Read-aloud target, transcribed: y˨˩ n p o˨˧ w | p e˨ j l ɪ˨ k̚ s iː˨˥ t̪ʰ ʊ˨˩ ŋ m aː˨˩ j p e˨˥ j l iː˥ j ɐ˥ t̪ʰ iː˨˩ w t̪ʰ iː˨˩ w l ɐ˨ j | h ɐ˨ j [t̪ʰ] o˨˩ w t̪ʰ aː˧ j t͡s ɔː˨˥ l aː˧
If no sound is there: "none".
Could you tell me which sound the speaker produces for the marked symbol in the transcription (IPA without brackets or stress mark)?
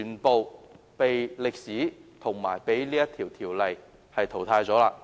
t̪ʰ